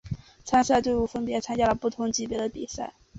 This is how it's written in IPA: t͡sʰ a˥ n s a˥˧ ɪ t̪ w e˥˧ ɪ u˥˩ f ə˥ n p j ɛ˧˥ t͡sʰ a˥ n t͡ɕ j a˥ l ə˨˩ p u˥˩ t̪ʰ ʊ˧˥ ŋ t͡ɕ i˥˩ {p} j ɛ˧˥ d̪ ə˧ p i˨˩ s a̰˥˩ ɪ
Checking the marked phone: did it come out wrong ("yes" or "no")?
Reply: no